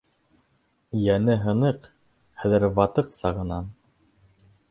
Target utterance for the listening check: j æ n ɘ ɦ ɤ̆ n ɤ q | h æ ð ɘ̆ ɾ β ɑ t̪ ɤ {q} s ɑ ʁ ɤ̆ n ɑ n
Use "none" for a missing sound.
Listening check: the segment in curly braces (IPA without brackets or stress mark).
q